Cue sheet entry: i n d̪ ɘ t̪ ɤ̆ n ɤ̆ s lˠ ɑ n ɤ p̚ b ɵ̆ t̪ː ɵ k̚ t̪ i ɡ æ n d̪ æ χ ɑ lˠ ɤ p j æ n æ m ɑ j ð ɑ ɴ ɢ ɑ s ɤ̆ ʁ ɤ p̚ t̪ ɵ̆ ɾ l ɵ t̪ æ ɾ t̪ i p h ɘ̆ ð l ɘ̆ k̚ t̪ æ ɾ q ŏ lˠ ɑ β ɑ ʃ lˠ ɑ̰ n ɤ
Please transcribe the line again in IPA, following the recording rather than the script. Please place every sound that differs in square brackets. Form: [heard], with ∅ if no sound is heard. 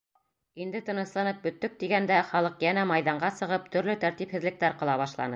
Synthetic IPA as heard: i n d̪ ɘ t̪ ɤ̆ n ɤ̆ s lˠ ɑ n ɤ p̚ b ɵ̆ t̪ː ɵ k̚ t̪ i ɡ æ n d̪ æ χ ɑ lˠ ɤ [q] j æ n æ m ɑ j ð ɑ ɴ ɢ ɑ s ɤ̆ ʁ ɤ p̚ t̪ ɵ̆ ɾ l ɵ t̪ æ ɾ t̪ i p h ɘ̆ ð l ɘ̆ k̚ t̪ æ ɾ q [ɤ̆] lˠ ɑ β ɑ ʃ lˠ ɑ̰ n ɤ